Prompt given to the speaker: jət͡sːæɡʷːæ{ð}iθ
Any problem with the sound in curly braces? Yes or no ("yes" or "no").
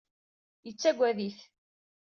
no